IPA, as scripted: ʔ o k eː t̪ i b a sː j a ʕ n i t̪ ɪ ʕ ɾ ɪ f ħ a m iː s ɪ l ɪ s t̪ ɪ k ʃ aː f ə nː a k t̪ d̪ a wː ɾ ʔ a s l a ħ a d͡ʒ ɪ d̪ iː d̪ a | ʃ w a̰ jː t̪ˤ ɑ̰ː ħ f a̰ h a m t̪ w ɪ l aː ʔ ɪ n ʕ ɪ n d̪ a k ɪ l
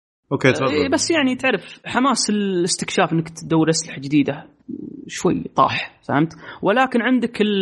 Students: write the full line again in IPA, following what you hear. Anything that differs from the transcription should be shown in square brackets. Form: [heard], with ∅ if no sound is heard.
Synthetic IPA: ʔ o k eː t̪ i b a sː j a ʕ n i t̪ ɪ ʕ ɾ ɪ f ħ a m [aː] s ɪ l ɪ s t̪ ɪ k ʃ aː f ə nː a k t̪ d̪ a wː ɾ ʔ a s l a ħ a d͡ʒ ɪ d̪ iː d̪ a | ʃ w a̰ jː t̪ˤ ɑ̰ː ħ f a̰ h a m t̪ w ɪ l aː [k] ɪ n ʕ ɪ n d̪ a k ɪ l